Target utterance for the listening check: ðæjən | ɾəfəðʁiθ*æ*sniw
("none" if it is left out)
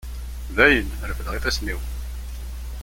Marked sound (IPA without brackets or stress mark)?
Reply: æ